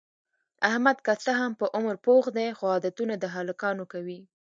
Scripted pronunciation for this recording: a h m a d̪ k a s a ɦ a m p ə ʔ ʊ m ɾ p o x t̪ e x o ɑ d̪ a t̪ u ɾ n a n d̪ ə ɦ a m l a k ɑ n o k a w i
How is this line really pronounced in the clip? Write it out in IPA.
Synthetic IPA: a h m a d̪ k a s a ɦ a m p ə ʔ ʊ m ɾ p o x d̪ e x o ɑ d̪ a t̪ u n a d̪ ə ɦ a l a k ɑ n o k a w i